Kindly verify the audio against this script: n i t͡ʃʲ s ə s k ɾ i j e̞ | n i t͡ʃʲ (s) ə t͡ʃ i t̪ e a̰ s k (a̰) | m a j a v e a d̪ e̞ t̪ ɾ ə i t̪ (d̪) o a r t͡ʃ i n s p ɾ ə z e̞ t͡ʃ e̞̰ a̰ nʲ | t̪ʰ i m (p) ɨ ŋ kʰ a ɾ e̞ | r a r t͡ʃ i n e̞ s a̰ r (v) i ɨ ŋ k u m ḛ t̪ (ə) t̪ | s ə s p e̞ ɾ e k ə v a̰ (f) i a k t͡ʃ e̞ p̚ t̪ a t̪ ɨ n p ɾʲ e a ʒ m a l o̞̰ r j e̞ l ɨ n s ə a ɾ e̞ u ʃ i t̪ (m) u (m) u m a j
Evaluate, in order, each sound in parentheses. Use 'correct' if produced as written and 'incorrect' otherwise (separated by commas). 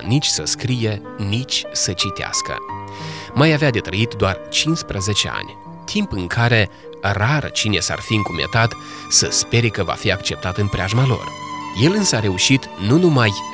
correct, incorrect, correct, correct, incorrect, incorrect, correct, incorrect, incorrect